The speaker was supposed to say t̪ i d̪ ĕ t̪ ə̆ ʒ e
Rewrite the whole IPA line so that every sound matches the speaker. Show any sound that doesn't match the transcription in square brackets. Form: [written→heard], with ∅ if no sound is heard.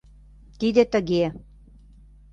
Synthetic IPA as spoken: t̪ i d̪ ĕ t̪ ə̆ [ʒ→ɣ] e